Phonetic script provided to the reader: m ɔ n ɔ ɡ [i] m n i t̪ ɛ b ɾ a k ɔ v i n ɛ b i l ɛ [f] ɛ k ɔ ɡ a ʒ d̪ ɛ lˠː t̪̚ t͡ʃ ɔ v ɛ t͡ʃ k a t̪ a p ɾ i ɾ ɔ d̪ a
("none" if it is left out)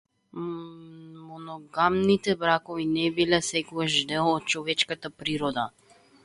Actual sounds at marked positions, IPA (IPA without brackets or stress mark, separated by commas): a, s